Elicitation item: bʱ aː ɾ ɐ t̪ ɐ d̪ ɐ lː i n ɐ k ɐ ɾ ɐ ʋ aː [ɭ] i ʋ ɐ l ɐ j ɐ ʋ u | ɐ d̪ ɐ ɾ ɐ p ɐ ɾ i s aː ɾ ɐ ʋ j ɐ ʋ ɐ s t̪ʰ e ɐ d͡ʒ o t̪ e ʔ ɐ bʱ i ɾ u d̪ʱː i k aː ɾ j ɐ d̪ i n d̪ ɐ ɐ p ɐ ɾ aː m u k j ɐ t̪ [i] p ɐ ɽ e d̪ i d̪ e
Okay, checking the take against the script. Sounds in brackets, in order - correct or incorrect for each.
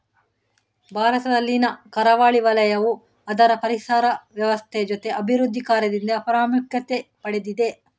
correct, incorrect: e

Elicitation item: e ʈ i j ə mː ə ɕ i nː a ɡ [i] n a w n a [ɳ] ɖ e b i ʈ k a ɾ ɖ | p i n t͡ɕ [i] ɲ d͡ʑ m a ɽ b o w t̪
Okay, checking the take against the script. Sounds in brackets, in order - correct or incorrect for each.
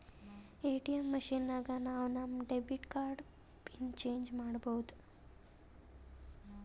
incorrect: a, incorrect: m, incorrect: e

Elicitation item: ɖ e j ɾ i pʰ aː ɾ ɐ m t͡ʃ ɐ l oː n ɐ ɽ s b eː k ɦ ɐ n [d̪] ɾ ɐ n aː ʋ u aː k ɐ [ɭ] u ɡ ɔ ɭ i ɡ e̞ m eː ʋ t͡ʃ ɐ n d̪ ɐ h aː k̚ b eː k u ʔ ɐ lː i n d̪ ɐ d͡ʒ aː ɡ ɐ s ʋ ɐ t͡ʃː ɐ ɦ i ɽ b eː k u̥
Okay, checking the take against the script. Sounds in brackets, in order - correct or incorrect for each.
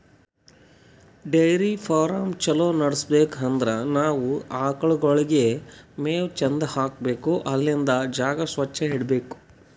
correct, correct

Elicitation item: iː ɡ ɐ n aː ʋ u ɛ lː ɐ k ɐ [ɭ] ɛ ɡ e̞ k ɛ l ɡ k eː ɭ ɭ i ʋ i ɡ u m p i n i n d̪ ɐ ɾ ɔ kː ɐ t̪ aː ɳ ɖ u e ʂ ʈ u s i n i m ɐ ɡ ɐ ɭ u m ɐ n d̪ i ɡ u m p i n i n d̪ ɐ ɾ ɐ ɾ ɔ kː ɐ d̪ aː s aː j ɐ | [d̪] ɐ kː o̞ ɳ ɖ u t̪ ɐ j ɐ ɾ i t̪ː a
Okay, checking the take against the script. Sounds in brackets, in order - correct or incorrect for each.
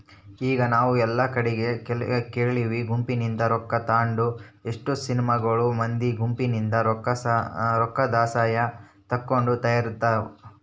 incorrect: ɽ, incorrect: t̪

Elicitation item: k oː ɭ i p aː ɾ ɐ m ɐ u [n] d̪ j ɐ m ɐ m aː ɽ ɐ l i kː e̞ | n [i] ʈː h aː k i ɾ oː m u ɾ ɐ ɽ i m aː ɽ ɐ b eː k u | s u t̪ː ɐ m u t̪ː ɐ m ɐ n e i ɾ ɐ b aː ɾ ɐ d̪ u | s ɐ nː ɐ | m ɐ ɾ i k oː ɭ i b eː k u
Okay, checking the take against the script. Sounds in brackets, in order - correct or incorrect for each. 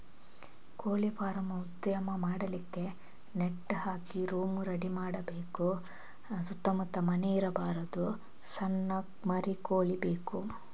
incorrect: none, incorrect: e

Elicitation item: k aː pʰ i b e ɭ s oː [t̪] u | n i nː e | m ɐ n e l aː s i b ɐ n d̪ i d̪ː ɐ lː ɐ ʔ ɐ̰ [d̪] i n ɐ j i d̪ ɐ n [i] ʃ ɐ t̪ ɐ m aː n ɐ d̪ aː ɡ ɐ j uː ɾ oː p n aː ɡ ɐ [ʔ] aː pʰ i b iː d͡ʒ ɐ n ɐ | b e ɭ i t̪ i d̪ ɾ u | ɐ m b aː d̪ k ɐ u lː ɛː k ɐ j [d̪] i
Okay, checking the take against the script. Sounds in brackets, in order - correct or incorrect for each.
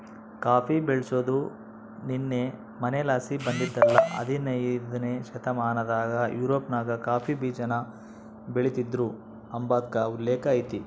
incorrect: d̪, correct, incorrect: e, incorrect: k, incorrect: t̪

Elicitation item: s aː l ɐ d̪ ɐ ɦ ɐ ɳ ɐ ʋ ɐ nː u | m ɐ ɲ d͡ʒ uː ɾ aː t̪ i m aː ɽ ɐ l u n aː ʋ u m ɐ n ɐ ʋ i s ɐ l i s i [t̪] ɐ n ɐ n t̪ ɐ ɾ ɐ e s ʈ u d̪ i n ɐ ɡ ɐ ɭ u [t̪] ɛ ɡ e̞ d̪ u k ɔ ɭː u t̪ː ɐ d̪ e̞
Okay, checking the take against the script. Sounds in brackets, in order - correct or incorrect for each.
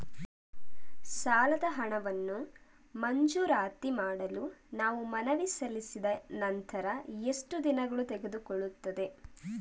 incorrect: d̪, correct

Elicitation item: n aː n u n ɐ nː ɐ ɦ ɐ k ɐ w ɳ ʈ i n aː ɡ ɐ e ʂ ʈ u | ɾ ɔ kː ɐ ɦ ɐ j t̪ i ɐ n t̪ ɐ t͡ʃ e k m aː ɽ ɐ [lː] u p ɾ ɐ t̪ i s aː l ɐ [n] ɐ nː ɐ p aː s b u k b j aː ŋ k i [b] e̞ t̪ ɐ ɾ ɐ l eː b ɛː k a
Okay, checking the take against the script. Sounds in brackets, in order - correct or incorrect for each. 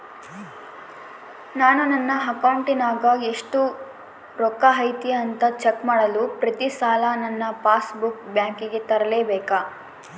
incorrect: l, correct, incorrect: ɡ

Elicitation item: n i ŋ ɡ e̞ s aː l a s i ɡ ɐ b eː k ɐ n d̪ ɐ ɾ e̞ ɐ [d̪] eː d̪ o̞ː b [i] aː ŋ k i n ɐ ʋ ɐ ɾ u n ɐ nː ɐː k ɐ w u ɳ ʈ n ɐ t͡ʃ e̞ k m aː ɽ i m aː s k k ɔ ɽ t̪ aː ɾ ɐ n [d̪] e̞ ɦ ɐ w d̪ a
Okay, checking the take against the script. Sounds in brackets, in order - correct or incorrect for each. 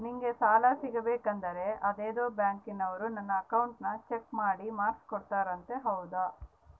correct, incorrect: j, incorrect: t̪

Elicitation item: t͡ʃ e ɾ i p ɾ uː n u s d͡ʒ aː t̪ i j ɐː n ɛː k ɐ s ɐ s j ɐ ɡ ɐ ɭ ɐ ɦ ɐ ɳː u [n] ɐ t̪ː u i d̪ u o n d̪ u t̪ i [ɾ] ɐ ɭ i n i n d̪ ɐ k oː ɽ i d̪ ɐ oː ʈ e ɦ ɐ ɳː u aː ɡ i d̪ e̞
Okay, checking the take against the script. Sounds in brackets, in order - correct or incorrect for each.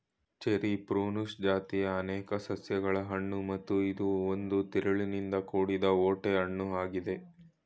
incorrect: m, correct

